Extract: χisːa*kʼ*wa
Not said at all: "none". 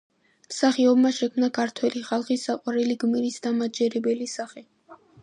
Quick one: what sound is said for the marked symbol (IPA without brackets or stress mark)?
qʼ